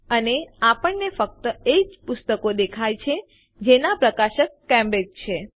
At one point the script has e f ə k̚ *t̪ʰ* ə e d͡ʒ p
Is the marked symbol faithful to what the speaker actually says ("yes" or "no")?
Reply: no